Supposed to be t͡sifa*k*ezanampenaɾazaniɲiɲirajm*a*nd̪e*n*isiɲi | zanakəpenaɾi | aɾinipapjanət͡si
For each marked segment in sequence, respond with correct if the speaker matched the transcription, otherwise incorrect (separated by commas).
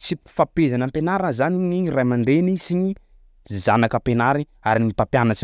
incorrect, correct, correct